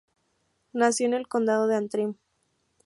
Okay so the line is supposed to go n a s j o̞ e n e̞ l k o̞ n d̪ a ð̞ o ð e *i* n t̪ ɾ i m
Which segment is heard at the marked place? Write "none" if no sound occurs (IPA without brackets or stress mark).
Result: a